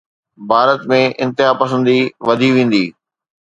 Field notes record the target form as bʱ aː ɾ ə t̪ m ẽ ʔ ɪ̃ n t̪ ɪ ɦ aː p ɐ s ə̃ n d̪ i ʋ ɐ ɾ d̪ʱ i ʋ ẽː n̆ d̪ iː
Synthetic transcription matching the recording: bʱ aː ɾ ə t̪ m ẽ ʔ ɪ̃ n t̪ ɪ ɦ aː p ɐ s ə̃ n d̪ i ʋ ɐ d̪ʱ i ʋ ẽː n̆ d̪ iː